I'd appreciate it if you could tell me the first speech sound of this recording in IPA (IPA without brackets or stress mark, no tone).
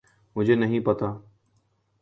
m